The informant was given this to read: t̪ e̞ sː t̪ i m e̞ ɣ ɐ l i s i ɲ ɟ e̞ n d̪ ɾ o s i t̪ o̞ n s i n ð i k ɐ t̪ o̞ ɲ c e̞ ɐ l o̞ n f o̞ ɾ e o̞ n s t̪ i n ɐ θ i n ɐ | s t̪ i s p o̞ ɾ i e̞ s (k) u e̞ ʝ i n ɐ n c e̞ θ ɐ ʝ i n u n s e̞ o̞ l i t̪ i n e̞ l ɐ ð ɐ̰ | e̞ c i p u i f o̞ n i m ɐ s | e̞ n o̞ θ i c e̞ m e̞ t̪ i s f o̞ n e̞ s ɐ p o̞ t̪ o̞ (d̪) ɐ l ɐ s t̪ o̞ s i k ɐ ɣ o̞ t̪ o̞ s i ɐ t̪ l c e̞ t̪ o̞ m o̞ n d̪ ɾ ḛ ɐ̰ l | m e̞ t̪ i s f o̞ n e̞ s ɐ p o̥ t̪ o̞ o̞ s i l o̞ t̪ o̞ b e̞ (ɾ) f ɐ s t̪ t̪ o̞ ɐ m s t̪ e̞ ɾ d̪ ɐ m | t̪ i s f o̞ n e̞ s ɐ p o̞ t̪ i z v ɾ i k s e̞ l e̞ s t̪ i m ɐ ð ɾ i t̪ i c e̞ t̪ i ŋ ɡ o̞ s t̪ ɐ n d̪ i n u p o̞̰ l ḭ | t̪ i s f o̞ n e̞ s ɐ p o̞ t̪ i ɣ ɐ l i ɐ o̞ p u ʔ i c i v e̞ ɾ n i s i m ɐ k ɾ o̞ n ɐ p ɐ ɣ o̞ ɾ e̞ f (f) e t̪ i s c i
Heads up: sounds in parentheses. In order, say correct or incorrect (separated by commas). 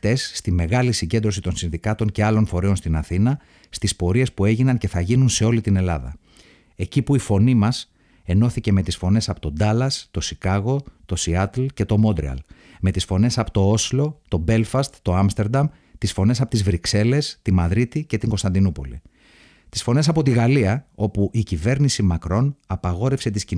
incorrect, correct, incorrect, incorrect